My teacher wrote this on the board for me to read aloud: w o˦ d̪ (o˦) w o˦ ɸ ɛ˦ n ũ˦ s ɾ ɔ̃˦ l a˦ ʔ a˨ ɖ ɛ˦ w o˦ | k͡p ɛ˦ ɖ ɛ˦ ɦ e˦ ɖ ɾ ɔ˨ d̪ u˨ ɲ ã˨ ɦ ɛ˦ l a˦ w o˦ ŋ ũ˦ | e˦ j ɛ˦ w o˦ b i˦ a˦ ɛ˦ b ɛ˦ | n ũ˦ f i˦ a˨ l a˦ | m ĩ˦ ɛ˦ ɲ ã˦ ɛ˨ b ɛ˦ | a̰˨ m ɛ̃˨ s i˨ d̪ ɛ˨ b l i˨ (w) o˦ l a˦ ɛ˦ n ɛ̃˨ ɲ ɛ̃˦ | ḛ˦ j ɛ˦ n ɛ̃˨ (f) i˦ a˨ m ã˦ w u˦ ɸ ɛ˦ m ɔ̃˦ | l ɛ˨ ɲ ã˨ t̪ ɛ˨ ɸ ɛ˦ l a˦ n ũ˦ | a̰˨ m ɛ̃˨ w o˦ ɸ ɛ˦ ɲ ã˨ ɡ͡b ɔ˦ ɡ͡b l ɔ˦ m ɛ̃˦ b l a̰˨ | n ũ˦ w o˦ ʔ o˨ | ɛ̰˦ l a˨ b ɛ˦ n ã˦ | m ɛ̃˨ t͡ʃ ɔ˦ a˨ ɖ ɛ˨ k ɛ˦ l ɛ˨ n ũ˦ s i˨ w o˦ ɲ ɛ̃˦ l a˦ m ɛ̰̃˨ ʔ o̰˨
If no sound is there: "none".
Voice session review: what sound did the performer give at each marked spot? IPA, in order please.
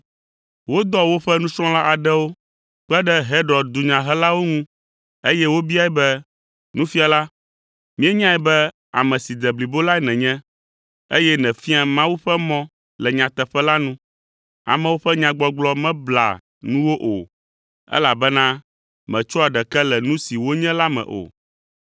ɔ˦, b, f

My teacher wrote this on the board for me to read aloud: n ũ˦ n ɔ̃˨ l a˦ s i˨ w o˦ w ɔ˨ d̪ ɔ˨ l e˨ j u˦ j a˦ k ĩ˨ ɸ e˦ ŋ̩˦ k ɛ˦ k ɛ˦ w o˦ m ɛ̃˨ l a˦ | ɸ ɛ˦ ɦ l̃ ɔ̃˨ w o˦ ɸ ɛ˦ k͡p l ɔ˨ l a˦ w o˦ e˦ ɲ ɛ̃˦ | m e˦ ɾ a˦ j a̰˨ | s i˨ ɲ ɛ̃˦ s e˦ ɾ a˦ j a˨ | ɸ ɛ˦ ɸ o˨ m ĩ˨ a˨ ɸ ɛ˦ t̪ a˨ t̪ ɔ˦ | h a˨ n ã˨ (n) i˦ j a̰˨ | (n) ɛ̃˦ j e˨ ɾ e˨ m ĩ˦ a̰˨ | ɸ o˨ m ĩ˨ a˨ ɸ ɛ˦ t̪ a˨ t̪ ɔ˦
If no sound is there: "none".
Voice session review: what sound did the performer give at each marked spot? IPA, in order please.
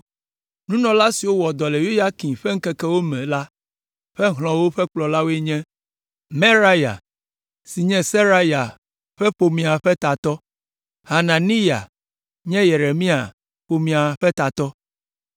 n, ɲ

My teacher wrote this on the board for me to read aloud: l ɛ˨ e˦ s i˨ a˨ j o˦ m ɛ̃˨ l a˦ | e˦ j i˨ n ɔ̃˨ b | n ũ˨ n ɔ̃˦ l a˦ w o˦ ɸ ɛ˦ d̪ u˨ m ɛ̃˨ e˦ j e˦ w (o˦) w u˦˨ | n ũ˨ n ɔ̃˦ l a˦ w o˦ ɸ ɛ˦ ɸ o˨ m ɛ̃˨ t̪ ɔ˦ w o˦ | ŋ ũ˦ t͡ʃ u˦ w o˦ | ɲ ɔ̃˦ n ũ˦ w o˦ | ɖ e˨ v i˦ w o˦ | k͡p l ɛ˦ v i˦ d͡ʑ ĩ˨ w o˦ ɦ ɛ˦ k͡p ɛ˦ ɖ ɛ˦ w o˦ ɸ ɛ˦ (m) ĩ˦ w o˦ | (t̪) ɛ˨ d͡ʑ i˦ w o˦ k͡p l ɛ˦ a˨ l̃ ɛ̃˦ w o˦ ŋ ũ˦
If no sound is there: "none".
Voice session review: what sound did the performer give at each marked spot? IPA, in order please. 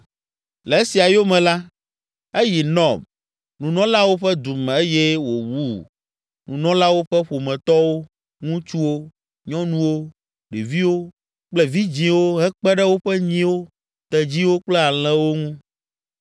o˨, ɲ, t̪

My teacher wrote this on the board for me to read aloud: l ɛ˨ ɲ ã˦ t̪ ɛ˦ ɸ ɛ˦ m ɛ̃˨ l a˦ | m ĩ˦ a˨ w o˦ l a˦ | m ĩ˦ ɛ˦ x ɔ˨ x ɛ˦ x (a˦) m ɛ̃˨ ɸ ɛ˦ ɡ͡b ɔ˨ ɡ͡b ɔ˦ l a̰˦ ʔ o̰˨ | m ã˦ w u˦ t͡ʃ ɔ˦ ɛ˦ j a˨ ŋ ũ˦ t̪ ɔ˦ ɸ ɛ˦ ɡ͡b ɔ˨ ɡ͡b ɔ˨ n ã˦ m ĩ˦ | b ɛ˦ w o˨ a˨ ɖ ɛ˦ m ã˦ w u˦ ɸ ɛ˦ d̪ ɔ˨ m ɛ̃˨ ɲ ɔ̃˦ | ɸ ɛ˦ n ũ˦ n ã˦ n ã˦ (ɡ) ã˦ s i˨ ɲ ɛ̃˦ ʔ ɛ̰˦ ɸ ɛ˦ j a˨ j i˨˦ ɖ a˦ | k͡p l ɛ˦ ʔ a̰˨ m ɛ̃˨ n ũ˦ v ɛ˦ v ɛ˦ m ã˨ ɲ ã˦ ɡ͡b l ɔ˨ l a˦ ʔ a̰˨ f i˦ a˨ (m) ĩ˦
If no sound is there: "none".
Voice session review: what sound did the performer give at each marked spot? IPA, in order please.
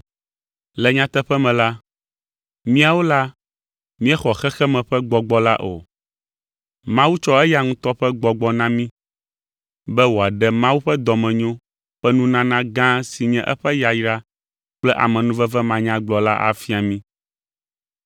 ɛ˦, ɡ, m

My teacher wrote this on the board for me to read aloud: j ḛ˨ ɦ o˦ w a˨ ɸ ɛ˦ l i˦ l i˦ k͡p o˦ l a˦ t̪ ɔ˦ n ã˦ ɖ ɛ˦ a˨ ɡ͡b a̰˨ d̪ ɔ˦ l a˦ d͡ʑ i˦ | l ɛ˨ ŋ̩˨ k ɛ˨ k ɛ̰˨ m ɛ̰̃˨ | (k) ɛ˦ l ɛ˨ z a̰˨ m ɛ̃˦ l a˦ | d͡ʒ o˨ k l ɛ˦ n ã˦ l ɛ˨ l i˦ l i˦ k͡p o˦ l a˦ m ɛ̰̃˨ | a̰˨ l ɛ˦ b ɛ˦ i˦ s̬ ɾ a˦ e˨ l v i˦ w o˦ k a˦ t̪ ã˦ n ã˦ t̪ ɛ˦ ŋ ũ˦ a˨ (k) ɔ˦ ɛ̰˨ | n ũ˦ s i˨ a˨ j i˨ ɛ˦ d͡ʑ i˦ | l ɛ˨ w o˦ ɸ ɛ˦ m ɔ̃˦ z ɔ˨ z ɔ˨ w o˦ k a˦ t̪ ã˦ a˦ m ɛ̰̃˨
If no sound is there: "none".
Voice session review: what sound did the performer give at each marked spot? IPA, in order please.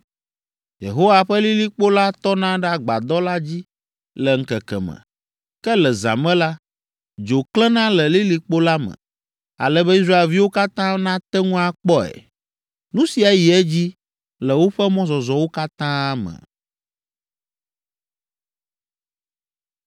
k, k͡p

